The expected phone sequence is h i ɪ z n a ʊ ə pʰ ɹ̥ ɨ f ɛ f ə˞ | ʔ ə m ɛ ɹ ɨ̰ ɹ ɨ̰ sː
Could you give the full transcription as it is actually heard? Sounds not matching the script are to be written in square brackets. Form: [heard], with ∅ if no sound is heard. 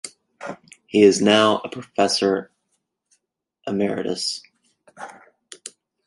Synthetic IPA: h i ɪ z n a ʊ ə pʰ ɹ̥ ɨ f ɛ [s] ə˞ | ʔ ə m ɛ ɹ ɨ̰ [ɾ] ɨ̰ [s]